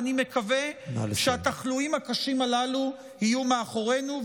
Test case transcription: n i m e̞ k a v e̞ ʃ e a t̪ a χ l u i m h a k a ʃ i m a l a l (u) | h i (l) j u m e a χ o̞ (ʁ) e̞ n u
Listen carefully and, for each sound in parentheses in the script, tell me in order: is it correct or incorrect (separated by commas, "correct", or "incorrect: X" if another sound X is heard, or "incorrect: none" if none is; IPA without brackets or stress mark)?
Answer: correct, incorrect: none, correct